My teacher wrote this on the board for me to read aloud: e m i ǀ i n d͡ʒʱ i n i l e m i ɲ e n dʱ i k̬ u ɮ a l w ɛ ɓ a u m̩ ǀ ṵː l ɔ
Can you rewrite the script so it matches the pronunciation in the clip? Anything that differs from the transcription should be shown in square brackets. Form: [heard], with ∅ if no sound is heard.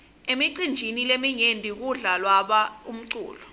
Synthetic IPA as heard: e m i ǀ i n d͡ʒʱ i n i l e m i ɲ e n dʱ i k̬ u ɮ a l w [a] ɓ a u m̩ ǀ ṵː l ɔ